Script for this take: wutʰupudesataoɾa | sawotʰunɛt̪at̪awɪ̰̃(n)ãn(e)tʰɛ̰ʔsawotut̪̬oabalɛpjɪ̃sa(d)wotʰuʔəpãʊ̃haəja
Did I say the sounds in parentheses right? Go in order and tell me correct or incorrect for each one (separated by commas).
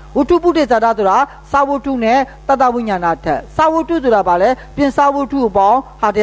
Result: incorrect, incorrect, incorrect